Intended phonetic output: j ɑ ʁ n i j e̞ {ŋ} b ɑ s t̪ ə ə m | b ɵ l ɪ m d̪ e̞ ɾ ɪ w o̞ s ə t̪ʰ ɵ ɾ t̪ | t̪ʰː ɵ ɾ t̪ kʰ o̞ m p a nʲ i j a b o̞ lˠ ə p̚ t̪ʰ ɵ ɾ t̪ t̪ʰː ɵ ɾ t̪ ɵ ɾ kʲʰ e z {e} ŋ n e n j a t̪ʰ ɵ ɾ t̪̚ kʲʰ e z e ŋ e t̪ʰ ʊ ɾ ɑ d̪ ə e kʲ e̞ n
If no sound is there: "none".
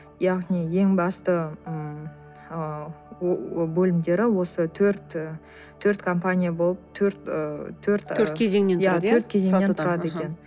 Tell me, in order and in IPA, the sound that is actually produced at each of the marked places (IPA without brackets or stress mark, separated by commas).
ŋ, e